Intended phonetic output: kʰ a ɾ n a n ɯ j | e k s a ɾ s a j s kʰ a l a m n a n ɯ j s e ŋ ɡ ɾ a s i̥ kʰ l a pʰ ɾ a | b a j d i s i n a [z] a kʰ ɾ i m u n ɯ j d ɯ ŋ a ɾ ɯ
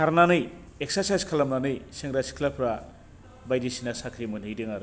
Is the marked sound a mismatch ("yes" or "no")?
yes